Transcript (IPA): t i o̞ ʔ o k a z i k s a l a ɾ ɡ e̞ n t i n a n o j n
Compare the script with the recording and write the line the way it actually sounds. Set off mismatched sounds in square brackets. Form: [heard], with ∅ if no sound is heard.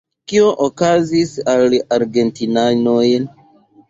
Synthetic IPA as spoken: [k] i o̞ ʔ o k a z i [∅] s a l a ɾ ɡ e̞ n t i n a n o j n

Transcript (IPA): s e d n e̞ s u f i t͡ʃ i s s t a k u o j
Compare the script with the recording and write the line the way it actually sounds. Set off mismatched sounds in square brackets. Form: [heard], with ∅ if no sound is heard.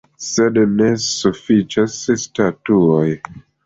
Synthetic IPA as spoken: s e d n e̞ s u f i t͡ʃ [a] s s t a [t] u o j

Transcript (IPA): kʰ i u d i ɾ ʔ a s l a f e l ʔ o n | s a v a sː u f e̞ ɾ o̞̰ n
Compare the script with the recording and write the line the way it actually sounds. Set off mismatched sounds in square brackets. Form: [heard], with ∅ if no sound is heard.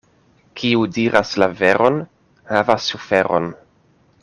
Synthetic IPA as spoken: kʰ i u d i ɾ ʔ a s l a [v] e [ɾ] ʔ o n | [h] a v a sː u f e̞ ɾ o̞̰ n

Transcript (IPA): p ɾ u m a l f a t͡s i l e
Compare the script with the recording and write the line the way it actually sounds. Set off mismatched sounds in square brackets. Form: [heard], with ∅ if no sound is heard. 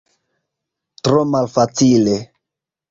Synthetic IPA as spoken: [t] ɾ [o] m a l f a t͡s i l e

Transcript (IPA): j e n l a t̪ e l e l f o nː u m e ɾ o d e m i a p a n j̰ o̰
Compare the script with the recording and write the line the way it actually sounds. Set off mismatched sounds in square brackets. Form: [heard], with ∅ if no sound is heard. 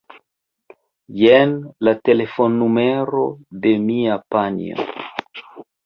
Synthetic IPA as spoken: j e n l a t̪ e l e [∅] f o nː u m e ɾ o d e m i a p a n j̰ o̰

